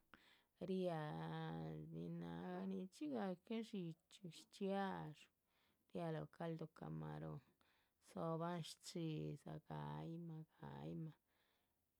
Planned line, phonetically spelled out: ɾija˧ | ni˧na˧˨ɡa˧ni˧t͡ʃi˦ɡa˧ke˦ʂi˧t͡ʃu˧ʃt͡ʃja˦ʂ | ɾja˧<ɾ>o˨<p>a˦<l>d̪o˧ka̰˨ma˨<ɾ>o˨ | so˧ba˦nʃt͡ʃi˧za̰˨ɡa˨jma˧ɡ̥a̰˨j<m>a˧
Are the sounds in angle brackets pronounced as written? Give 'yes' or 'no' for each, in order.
no, no, yes, yes, yes

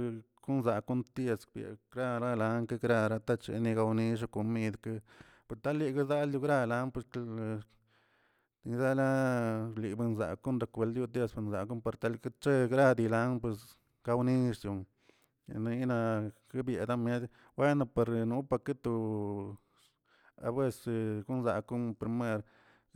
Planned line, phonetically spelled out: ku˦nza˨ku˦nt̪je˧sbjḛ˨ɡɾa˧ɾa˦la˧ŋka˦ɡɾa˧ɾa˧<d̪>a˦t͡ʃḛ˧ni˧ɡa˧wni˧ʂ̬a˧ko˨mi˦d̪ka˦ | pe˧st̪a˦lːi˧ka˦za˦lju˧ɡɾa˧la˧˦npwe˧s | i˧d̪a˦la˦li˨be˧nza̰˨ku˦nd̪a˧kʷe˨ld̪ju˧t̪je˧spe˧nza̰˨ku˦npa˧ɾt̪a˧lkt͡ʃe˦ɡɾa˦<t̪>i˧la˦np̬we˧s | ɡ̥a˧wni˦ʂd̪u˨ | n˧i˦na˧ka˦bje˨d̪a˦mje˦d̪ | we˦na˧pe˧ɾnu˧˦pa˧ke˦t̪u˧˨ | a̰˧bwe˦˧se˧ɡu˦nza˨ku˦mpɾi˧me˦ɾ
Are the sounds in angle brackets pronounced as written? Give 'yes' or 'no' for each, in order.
no, no

